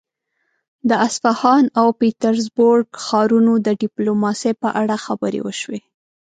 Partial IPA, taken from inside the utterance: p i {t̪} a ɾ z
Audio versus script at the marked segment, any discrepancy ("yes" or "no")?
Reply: no